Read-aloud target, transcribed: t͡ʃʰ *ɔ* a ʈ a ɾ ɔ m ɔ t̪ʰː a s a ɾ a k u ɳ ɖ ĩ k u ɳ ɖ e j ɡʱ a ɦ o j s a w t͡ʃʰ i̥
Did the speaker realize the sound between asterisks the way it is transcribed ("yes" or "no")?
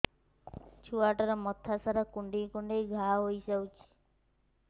no